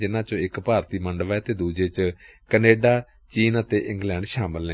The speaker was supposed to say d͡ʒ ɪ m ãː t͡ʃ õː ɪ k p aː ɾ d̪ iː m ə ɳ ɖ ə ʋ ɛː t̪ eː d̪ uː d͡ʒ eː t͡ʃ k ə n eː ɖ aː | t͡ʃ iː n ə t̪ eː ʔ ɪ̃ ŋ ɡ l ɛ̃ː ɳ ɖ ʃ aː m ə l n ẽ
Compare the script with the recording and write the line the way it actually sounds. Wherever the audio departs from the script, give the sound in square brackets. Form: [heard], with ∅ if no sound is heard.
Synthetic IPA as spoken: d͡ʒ ɪ [n] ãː t͡ʃ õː ɪ k p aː ɾ [t̪] iː m ə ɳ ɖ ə ʋ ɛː t̪ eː d̪ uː d͡ʒ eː t͡ʃ k ə n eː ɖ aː | t͡ʃ iː n ə t̪ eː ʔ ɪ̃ ŋ ɡ l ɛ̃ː ɳ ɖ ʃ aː m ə l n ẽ